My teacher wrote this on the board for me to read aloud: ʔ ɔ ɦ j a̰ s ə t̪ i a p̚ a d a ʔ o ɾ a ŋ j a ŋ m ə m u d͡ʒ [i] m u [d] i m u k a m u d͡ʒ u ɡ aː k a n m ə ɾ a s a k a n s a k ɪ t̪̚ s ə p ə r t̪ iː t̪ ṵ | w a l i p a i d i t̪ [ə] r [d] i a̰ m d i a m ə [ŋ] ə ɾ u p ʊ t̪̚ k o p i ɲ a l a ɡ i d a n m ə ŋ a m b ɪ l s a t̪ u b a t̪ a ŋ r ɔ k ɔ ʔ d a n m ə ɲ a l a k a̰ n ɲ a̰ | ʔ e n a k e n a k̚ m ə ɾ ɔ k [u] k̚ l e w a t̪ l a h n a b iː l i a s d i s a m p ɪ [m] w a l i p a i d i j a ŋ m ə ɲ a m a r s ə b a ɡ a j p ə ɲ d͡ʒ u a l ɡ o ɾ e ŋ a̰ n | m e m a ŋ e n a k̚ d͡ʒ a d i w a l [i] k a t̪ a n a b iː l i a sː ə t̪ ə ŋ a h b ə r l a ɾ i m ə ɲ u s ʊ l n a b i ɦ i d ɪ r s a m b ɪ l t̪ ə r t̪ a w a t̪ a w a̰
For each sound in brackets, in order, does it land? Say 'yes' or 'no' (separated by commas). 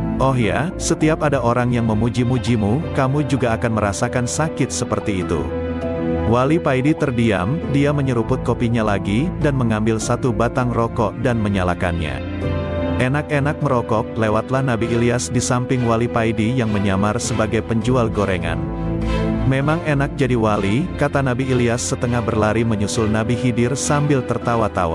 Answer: yes, no, yes, yes, no, no, no, yes